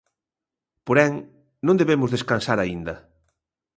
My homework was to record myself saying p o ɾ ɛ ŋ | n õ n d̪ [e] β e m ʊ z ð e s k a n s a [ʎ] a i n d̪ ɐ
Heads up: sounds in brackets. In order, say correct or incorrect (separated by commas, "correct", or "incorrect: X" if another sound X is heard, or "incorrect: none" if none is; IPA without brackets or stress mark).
correct, incorrect: ɾ